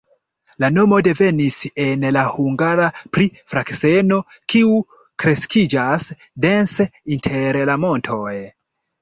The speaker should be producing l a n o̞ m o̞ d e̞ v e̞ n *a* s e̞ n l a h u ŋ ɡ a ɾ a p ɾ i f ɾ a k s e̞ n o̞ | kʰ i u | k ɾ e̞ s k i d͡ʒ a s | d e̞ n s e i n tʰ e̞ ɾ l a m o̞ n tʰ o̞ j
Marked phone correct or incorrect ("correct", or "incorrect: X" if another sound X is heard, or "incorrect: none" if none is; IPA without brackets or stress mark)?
incorrect: i